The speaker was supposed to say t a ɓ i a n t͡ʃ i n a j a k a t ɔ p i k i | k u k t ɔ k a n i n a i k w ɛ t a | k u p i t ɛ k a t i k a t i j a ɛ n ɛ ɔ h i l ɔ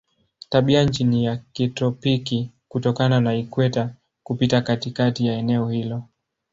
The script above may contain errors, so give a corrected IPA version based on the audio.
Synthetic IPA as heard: t a ɓ i a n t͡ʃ i n i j a k i t ɔ p i k i | k u t ɔ k a n a n a i k w ɛ t a | k u p i t a k a t i k a t i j a ɛ n ɛ ɔ h i l ɔ